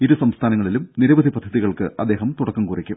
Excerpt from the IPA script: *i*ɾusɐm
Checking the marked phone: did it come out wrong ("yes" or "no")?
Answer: no